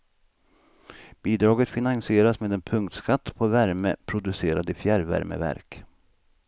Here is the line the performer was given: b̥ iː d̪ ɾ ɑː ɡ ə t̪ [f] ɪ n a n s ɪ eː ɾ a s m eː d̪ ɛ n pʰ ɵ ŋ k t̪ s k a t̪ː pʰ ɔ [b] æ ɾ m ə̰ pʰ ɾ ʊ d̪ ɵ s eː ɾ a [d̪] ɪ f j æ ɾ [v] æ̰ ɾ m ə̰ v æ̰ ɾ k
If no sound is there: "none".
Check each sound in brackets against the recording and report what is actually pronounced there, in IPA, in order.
f, v, d̪, v

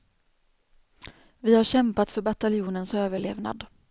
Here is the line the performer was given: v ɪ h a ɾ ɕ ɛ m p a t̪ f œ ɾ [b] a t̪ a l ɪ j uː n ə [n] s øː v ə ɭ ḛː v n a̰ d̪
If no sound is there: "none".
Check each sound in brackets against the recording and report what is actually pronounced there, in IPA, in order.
b, n

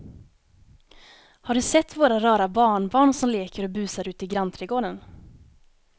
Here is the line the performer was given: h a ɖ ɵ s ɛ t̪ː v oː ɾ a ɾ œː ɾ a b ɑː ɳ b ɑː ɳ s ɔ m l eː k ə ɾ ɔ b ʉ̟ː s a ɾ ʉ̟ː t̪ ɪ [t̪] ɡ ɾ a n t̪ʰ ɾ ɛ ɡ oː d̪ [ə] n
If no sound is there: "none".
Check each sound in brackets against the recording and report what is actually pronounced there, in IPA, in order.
none, ə

